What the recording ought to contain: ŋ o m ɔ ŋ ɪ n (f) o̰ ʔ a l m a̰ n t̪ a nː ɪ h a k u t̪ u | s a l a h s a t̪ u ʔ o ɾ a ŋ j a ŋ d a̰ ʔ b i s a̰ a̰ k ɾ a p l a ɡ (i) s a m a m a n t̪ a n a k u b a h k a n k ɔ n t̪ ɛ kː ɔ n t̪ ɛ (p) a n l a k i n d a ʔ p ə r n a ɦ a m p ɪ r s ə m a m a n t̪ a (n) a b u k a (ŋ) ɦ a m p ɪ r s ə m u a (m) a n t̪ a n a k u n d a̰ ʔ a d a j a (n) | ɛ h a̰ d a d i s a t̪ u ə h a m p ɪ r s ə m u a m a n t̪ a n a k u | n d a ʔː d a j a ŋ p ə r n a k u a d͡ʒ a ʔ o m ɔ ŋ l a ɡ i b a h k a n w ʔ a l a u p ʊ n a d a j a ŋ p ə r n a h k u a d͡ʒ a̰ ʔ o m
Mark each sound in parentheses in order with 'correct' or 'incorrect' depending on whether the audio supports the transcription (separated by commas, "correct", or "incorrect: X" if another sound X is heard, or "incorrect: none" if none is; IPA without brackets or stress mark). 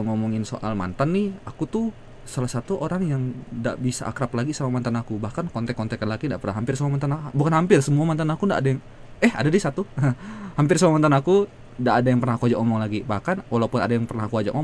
incorrect: s, correct, incorrect: k, correct, incorrect: n, correct, incorrect: ŋ